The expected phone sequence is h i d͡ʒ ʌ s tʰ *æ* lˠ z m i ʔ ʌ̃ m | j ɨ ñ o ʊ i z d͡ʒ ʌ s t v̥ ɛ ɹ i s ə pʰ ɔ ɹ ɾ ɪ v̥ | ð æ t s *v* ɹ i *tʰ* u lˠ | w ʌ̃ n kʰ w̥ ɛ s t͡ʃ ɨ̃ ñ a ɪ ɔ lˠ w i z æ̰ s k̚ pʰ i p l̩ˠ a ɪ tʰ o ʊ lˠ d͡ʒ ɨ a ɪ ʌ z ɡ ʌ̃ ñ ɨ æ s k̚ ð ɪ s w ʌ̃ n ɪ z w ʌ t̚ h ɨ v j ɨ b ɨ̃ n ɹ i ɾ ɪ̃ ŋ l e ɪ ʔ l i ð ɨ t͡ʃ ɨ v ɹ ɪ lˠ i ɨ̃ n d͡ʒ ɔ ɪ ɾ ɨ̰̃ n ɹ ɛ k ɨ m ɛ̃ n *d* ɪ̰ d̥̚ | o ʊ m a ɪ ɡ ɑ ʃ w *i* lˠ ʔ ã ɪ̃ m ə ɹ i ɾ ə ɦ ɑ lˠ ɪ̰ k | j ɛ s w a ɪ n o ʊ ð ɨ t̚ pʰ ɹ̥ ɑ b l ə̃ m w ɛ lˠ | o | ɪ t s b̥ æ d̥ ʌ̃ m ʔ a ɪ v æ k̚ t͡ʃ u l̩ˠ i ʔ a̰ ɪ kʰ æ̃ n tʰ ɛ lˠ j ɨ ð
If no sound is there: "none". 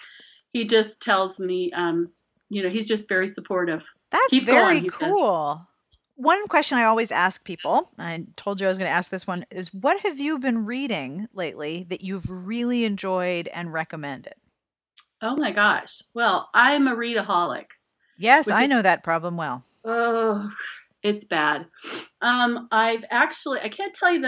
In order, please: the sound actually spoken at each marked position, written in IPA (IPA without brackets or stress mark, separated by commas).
ɛ, v, kʰ, d, ɛ